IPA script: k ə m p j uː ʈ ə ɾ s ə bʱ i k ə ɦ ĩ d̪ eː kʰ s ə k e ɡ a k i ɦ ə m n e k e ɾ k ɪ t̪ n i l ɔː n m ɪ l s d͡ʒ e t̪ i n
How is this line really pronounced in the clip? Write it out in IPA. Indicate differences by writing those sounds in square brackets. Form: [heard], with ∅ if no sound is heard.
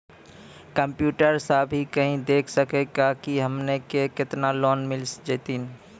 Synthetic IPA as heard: k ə m p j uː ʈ ə ɾ s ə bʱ i k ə ɦ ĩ d̪ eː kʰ s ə k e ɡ a k i ɦ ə m n e k e [∅] k ɪ t̪ n [a] l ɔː n m ɪ l s d͡ʒ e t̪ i n